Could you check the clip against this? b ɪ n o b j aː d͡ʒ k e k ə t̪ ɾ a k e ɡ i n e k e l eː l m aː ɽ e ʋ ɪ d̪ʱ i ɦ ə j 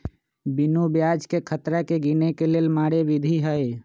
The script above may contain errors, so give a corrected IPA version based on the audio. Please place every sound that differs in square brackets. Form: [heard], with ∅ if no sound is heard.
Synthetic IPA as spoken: b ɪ n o b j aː d͡ʒ k e [kʰ] ə t̪ ɾ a k e ɡ i n e k e l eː l m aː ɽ e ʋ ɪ d̪ʱ i ɦ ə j